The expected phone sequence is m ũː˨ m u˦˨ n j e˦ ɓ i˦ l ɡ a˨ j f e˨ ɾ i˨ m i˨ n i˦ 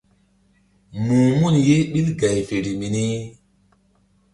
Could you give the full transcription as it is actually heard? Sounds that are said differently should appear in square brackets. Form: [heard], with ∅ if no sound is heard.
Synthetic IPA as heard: m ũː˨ m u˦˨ n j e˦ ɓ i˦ l ɡ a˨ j f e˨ ɾ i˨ m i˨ n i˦